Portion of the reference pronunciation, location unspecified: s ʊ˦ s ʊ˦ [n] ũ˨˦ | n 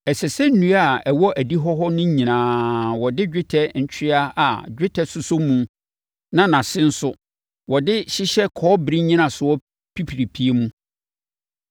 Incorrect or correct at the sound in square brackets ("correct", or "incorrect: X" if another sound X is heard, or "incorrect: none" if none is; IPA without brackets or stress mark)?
incorrect: m